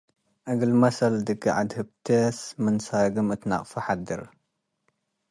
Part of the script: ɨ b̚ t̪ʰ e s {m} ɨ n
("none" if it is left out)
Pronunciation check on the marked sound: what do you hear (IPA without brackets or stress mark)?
m